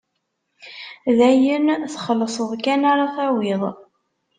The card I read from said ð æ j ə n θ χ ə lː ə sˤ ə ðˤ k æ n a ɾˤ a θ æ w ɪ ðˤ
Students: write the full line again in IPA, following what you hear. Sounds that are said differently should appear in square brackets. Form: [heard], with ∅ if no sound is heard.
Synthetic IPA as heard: ð æ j ə n θ χ ə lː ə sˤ ə ðˤ k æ n a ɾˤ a θ æ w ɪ ðˤ